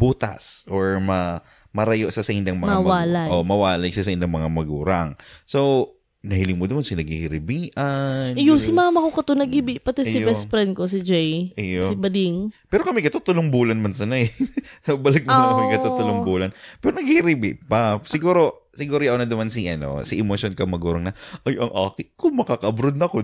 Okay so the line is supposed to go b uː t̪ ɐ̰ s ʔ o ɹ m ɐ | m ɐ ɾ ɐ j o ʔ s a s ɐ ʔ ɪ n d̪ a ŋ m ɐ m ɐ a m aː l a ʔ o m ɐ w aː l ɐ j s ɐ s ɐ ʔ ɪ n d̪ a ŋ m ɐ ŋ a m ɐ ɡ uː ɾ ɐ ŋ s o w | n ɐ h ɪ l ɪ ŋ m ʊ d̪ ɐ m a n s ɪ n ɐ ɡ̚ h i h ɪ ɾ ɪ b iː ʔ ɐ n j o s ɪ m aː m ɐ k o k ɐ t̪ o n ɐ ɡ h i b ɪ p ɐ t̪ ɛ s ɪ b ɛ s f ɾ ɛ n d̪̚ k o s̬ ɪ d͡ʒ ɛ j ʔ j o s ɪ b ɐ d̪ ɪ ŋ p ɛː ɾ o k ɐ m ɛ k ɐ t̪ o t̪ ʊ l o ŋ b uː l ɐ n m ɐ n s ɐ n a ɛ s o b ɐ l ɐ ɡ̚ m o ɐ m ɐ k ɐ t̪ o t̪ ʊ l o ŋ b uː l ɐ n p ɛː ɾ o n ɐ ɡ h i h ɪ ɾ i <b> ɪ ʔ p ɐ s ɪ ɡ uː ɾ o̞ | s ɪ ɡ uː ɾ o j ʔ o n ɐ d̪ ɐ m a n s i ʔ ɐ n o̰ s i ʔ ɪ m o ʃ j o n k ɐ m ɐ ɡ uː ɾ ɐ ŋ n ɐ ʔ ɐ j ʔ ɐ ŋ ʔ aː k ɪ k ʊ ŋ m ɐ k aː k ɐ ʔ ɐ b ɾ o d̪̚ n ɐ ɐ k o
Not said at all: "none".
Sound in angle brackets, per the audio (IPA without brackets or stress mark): b